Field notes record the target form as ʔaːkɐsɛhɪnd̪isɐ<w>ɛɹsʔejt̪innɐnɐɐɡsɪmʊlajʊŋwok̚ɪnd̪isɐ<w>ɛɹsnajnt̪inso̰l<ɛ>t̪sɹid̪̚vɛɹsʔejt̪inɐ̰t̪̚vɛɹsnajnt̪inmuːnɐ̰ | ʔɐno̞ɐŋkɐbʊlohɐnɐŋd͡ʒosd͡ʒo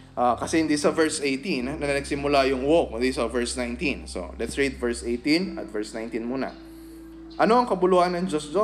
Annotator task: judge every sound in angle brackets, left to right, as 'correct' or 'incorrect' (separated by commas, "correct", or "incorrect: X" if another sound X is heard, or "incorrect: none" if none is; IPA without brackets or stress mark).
incorrect: v, incorrect: v, correct